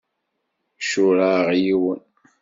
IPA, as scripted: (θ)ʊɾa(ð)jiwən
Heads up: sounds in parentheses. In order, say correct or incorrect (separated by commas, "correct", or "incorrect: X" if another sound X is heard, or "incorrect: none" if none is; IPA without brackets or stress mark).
incorrect: ʃ, incorrect: ʁ